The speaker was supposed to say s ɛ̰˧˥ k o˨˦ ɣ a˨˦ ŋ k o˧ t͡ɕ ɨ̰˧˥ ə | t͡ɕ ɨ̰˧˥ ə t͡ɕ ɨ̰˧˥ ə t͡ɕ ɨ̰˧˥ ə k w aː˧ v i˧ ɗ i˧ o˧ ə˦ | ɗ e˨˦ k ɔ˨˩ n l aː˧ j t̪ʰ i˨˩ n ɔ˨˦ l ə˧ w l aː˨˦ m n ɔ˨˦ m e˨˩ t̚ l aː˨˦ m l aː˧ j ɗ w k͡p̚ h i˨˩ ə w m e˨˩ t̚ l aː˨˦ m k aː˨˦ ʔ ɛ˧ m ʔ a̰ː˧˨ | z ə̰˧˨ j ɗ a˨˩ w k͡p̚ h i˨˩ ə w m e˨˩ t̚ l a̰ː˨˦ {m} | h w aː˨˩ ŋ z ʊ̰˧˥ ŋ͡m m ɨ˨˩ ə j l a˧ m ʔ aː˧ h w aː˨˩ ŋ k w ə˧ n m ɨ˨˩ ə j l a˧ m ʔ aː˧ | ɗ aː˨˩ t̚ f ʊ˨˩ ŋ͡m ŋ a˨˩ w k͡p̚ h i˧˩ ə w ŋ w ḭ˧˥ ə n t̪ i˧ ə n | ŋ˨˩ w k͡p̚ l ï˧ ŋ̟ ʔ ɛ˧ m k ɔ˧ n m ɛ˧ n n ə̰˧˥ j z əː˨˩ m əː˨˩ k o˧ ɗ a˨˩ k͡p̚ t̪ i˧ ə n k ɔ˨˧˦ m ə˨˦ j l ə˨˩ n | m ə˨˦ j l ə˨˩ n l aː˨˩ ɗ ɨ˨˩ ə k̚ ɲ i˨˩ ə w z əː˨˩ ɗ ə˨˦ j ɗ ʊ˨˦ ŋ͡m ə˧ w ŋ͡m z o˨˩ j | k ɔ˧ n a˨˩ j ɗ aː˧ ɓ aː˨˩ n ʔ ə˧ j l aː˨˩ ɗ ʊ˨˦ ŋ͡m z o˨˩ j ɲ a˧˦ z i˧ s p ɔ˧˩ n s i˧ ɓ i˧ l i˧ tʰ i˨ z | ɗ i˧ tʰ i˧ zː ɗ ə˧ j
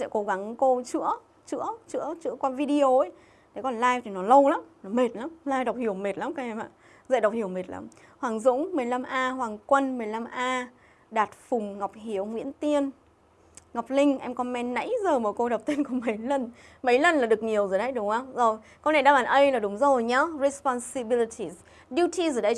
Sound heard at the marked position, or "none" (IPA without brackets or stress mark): m